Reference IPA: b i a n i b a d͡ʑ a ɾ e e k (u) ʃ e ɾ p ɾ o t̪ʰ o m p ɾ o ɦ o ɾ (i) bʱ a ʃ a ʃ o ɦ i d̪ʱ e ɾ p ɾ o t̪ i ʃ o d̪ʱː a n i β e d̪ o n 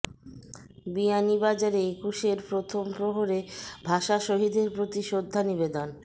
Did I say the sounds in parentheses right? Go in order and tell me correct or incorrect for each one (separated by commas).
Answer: correct, incorrect